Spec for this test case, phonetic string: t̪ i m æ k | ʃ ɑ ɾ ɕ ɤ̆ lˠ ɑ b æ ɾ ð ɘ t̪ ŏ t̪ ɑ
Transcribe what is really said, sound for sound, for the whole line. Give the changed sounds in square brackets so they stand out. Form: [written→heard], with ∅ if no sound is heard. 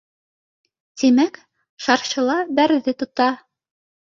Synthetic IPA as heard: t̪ i m æ k | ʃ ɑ ɾ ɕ ɤ̆ lˠ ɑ b æ ɾ ð ɘ t̪ ŏ t̪ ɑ